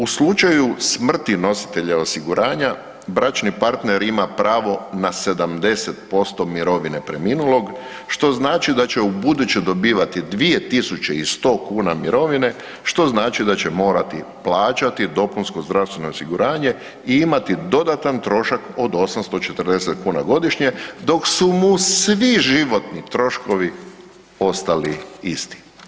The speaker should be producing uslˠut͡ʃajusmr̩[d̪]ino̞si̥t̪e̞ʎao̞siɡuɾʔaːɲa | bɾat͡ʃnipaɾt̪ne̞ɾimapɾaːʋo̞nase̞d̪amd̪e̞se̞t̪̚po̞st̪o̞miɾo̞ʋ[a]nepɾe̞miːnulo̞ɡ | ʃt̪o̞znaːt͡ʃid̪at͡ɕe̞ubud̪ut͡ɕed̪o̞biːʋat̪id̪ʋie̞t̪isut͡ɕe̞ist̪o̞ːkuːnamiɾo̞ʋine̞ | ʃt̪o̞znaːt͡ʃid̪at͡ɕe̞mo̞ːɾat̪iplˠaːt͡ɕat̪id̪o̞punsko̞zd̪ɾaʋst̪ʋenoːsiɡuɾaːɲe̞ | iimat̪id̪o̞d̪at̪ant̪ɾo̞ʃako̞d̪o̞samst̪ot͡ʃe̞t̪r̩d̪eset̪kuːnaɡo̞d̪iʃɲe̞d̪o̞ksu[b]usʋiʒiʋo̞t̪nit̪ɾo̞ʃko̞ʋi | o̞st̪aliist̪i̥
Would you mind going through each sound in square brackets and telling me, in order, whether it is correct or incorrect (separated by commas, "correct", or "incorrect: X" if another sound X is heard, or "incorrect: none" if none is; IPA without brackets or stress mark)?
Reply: incorrect: t̪, incorrect: i, incorrect: m